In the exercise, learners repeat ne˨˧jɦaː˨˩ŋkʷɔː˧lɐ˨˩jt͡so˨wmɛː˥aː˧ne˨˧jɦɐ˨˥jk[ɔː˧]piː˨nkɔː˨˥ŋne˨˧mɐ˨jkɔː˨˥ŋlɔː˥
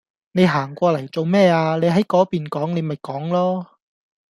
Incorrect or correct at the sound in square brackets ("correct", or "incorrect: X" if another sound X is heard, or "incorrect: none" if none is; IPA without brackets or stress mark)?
incorrect: ɔː˨˥